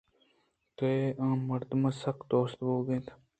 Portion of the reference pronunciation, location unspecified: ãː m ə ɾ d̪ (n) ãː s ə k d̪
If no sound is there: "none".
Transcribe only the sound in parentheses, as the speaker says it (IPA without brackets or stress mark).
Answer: m